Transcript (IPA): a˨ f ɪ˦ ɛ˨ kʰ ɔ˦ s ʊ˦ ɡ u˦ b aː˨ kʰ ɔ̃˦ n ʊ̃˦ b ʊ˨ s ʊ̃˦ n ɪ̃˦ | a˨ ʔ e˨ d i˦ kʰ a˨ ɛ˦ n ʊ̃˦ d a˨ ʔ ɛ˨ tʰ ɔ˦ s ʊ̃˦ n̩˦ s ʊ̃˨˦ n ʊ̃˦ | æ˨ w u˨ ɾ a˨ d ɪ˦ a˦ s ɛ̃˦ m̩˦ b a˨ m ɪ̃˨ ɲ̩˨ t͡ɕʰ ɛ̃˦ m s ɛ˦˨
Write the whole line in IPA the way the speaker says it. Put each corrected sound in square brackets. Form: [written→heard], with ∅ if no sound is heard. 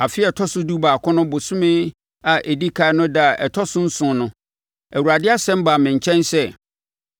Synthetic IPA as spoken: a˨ f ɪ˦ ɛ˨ [kʰ→tʰ] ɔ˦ s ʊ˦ [ɡ→d] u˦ b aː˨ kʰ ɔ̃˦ n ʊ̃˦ b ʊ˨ s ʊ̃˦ [n→m] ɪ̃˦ | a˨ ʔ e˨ d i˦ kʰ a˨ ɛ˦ n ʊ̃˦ d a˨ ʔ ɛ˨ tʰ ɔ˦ s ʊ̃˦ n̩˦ s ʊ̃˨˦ n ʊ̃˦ | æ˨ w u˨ ɾ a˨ d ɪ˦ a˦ s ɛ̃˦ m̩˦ b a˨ m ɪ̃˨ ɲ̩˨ t͡ɕʰ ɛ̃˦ [m→n] s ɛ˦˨

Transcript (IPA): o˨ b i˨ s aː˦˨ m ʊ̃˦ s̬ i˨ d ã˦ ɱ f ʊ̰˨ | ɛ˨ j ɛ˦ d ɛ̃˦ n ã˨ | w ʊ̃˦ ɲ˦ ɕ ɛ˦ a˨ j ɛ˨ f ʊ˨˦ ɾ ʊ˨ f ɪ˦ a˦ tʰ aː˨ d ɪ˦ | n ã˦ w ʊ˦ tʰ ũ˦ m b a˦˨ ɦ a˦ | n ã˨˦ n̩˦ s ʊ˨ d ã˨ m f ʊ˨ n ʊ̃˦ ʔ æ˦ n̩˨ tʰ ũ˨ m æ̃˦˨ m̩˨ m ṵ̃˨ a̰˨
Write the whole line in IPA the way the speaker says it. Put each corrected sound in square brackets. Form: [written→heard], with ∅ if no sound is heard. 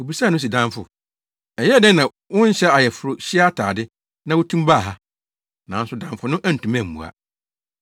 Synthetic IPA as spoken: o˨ b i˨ s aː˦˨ [m→n] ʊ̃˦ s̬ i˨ d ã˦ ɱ f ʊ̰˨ | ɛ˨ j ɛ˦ d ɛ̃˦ n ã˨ | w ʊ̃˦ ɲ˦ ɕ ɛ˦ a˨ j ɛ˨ f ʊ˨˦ ɾ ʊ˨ [f→ɕ] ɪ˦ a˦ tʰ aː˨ d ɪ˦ | n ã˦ w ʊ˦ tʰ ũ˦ m b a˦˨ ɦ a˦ | n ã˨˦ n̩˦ s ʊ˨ d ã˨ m f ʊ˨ n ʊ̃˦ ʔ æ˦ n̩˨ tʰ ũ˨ m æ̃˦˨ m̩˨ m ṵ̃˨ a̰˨

